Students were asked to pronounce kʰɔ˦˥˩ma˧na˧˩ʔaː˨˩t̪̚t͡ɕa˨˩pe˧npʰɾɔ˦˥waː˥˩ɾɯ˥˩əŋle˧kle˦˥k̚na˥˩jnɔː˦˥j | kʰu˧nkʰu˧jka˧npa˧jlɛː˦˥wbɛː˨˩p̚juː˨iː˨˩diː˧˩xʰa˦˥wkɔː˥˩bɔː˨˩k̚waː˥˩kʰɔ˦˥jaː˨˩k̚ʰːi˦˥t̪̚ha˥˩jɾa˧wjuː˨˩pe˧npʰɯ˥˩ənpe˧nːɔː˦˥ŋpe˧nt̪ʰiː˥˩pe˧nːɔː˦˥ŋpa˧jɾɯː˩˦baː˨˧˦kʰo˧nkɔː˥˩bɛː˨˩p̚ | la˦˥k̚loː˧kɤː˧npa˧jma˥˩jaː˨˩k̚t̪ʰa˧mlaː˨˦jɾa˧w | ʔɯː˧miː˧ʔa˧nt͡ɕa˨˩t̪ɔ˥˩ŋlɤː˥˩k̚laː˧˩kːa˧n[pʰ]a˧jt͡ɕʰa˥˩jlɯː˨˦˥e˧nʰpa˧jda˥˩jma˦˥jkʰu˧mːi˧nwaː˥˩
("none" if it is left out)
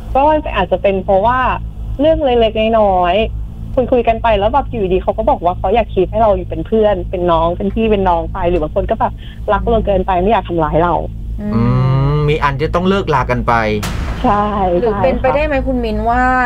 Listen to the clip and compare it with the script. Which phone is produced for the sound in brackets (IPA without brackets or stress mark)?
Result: p